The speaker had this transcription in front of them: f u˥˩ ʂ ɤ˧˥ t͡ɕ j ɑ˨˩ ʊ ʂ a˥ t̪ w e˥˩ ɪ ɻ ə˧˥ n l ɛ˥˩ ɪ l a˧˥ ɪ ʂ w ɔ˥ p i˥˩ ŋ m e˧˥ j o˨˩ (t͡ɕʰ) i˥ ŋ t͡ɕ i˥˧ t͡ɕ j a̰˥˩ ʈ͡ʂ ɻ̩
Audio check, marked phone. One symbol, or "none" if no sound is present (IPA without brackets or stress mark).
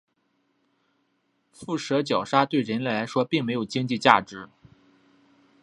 t͡ɕ